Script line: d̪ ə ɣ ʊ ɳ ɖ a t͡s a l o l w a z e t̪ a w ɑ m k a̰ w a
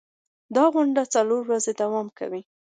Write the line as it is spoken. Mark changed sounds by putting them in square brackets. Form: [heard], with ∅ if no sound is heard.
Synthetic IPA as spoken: d̪ [ɑ] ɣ ʊ ɳ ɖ a t͡s a l o [ɾ] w a z e [d̪] a w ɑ m k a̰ w [i]